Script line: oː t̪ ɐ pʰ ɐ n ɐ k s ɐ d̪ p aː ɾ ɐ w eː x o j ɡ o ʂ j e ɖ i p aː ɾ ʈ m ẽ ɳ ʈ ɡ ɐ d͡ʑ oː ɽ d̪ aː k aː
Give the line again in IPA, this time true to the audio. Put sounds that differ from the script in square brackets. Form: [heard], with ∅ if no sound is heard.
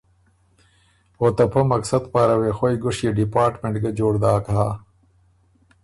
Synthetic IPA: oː t̪ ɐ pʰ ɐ [m] ɐ k s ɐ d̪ p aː ɾ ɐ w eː x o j ɡ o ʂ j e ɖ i p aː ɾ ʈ m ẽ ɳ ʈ ɡ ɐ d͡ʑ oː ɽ d̪ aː k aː